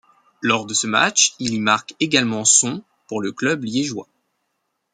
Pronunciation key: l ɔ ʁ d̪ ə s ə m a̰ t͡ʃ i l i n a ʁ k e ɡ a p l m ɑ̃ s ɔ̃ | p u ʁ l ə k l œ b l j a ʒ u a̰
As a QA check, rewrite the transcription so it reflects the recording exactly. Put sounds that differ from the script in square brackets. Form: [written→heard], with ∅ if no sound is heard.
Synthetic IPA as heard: l ɔ ʁ d̪ ə s ə m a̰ t͡ʃ i l i [n→m] a ʁ k e ɡ a [p→∅] l m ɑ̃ s ɔ̃ | p u ʁ l ə k l œ b l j [a→e] ʒ [u→w] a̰

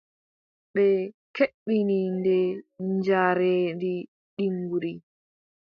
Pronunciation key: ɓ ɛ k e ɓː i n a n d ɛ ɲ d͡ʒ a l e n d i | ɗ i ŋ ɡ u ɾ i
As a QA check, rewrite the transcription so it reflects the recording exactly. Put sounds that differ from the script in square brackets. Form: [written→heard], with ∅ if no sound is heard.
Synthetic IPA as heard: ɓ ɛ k e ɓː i n [a→i] n d ɛ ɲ d͡ʒ a [l→ɾ] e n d i | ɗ i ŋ ɡ u ɾ i

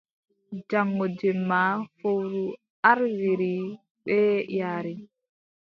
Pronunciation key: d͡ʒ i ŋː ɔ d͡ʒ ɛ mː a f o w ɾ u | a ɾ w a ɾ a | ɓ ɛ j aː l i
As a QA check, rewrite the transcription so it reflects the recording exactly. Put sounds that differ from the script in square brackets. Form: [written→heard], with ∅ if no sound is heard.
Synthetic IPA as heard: d͡ʒ [i→a] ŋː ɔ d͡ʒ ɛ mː a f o w ɾ u | a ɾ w [a→i] ɾ [a→i] | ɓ ɛ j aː [l→ɾ] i

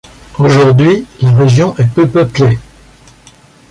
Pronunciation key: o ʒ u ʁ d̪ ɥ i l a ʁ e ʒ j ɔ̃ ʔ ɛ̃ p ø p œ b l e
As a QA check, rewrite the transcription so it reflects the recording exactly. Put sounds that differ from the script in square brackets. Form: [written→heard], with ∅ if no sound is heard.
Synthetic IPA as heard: o ʒ u ʁ d̪ ɥ i l a ʁ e ʒ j ɔ̃ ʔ [ɛ̃→ɛ] p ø p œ [b→p] l e

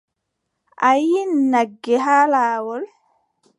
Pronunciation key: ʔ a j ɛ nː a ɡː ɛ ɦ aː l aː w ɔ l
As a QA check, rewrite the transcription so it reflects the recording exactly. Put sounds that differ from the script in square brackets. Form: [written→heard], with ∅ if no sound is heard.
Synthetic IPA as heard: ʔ a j [ɛ→i] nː a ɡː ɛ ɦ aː l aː w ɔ l

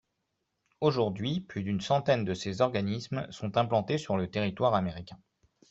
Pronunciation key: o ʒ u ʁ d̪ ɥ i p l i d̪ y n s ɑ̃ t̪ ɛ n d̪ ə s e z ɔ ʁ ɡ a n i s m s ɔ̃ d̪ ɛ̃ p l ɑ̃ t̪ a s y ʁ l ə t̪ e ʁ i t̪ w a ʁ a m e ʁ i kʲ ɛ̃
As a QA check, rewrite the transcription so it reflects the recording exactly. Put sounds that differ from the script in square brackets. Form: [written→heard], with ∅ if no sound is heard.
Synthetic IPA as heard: o ʒ u ʁ d̪ ɥ i p l [i→y] d̪ y n s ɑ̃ t̪ ɛ n d̪ ə s e z ɔ ʁ ɡ a n i s m s ɔ̃ [d̪→t̪] ɛ̃ p l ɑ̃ t̪ [a→e] s y ʁ l ə t̪ e ʁ i t̪ w a ʁ a m e ʁ i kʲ ɛ̃

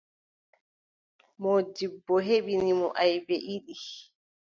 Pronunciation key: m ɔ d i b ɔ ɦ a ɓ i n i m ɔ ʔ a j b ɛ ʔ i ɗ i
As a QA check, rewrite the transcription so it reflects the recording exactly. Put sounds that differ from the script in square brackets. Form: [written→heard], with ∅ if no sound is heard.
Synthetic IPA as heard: m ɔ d i [b→bː] ɔ ɦ [a→e] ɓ i n i m ɔ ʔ a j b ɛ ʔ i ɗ i

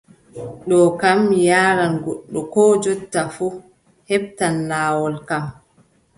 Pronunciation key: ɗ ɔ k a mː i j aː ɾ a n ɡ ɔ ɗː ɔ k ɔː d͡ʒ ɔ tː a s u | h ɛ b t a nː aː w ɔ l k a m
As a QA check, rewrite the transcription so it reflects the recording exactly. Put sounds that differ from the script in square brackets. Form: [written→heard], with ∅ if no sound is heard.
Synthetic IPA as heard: ɗ ɔ k a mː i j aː ɾ a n ɡ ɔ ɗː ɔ k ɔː d͡ʒ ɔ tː a [s→f] u | h ɛ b t a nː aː w ɔ l k a m

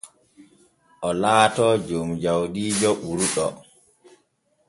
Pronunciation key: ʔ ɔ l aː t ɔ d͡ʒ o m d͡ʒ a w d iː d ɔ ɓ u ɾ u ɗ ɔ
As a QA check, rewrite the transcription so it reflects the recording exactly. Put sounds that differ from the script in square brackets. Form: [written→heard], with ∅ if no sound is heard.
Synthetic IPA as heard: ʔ ɔ l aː t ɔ d͡ʒ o m d͡ʒ a w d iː [d→d͡ʒ] ɔ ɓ u ɾ u ɗ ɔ

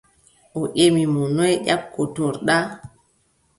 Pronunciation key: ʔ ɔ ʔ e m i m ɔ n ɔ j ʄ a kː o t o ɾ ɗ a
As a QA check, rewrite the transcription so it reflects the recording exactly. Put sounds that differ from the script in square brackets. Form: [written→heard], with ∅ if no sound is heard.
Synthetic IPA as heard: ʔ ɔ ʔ e m i m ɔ n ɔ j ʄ a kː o t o ɾ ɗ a

